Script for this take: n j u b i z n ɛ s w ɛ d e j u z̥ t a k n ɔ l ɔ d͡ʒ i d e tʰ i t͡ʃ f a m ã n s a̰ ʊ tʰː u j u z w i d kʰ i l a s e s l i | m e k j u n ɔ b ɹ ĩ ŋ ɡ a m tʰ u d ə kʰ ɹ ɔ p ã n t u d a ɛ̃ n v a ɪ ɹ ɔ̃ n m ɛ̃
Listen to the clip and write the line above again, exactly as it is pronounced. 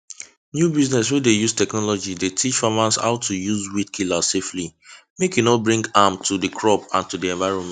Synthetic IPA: n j u b i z n ɛ s w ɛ d e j u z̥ t ɛ k n ɔ l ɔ d͡ʒ i d e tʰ i t͡ʃ f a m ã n s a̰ ʊ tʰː u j u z w i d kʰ i l a s e f l i | m e k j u n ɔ b ɹ ĩ ŋ ɡ a m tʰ u d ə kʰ ɹ ɔ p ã n t u d i ɛ̃ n v a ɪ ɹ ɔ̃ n m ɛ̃